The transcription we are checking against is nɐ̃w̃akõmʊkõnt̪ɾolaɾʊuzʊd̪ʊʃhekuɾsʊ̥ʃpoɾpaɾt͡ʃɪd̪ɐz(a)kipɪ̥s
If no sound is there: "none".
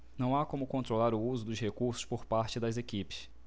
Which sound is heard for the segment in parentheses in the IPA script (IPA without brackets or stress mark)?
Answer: e